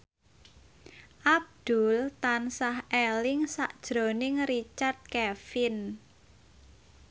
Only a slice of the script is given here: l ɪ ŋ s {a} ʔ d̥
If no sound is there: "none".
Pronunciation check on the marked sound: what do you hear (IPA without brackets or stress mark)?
a